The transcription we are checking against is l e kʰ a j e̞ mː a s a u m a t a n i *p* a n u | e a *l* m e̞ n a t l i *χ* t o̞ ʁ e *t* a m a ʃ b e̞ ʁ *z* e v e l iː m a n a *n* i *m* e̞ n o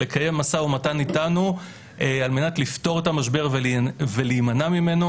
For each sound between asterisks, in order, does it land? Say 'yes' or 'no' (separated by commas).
no, yes, no, yes, no, no, yes